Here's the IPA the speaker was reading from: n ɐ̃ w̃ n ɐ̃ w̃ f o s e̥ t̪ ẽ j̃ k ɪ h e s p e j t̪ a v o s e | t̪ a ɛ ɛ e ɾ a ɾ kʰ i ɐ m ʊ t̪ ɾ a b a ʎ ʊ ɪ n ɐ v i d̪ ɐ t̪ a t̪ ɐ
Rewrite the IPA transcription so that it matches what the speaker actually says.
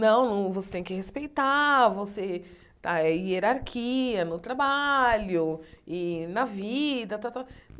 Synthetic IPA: n ɐ̃ w̃ n ɐ̃ w̃ v o s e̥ t̪ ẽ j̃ k ɪ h e s p e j t̪ a v o s e | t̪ a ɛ i e ɾ a ɾ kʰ i ɐ n ʊ t̪ ɾ a b a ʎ ʊ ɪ n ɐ v i d̪ ɐ t̪ a t̪ a